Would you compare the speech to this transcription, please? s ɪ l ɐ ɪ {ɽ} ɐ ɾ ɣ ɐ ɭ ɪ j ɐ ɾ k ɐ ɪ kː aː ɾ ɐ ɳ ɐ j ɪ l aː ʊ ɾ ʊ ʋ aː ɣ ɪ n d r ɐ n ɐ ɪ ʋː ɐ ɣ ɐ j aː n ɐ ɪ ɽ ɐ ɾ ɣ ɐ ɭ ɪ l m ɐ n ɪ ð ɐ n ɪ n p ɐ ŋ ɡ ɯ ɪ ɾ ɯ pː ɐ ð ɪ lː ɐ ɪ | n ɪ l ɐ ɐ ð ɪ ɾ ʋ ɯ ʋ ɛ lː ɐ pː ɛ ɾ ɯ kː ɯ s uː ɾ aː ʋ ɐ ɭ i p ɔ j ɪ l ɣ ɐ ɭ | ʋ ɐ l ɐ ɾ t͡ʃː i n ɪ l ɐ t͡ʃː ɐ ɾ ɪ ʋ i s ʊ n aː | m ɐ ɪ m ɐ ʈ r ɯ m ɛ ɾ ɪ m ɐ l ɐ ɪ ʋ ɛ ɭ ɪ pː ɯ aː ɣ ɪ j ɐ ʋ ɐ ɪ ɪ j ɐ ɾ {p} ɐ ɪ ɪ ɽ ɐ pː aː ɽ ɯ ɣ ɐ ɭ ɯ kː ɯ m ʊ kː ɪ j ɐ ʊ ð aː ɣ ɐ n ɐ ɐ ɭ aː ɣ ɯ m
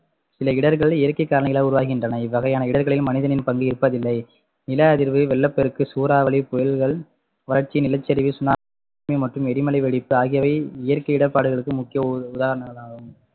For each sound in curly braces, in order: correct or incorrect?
correct, incorrect: k

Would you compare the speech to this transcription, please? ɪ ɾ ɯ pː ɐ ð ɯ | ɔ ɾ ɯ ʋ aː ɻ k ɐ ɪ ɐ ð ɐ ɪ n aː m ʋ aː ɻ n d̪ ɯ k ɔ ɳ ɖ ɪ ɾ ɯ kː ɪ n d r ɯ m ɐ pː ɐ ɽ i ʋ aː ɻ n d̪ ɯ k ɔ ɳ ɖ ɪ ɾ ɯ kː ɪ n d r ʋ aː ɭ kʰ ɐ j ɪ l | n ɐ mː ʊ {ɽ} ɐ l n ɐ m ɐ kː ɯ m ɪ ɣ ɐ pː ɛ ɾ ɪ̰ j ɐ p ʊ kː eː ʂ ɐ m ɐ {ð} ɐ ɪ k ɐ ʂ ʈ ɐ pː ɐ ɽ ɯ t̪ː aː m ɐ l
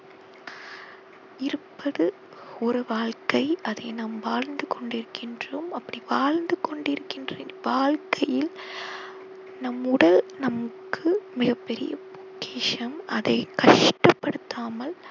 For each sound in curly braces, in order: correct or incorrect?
correct, correct

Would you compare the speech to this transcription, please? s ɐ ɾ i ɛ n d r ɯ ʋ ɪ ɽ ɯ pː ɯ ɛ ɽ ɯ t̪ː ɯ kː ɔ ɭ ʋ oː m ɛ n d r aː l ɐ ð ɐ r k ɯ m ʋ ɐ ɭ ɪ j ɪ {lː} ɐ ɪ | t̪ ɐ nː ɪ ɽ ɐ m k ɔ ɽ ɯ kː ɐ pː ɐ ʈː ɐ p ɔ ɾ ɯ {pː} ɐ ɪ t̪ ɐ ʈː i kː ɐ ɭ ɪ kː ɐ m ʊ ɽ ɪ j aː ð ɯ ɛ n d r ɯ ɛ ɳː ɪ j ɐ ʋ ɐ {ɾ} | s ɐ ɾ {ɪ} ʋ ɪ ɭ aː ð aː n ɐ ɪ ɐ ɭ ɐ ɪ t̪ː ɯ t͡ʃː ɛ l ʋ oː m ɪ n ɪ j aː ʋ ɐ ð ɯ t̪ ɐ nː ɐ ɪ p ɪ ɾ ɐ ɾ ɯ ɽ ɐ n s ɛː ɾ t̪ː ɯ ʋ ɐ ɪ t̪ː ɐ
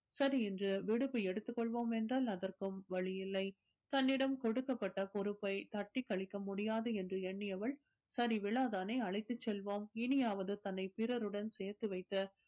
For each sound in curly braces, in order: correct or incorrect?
correct, correct, incorrect: ɭ, incorrect: i

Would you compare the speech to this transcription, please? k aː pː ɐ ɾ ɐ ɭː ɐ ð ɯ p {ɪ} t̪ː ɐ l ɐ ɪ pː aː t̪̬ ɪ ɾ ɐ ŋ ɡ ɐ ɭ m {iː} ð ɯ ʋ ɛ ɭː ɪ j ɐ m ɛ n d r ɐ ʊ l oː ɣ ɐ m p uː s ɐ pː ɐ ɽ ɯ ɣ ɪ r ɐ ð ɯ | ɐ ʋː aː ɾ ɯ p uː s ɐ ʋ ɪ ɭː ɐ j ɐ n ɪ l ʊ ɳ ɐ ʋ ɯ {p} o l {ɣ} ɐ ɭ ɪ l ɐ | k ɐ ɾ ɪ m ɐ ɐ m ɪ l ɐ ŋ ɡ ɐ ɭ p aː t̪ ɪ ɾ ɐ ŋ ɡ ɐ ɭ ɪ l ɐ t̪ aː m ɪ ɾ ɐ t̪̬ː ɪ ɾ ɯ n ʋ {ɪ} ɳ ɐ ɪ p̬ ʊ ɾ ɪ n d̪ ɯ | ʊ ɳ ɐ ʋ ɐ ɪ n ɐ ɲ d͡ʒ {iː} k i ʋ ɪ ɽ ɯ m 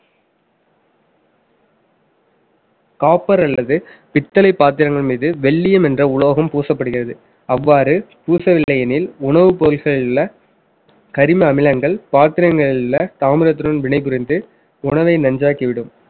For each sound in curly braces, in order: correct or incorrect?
correct, correct, correct, correct, correct, incorrect: aː

